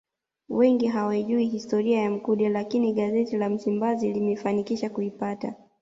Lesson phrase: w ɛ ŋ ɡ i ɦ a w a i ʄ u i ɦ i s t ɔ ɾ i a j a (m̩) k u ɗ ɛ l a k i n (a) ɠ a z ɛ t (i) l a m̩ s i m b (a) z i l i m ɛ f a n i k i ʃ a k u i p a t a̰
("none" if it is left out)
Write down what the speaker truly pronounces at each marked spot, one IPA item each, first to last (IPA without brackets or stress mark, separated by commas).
m̩, i, i, a